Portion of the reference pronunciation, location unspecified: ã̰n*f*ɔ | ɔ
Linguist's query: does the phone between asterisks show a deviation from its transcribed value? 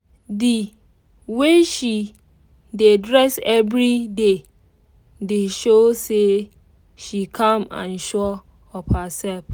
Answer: yes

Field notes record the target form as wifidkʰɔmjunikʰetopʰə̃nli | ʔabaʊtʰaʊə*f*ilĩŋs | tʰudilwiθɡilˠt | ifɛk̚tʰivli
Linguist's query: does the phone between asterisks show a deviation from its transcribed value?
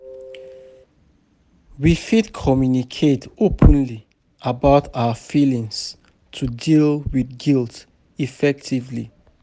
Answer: no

